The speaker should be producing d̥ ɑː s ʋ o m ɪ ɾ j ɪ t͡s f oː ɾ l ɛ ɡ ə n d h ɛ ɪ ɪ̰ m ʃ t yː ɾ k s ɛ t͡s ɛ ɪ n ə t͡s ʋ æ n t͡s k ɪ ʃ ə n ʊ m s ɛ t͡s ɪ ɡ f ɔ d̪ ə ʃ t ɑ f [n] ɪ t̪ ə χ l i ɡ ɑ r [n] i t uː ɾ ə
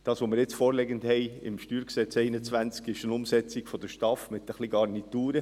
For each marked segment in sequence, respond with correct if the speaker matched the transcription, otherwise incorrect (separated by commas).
incorrect, correct